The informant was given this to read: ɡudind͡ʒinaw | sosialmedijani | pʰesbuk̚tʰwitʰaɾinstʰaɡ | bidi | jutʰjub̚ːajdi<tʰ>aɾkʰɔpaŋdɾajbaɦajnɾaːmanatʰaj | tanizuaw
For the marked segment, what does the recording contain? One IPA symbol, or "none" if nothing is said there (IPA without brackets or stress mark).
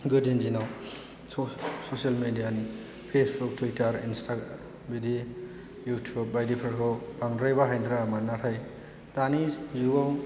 pʰ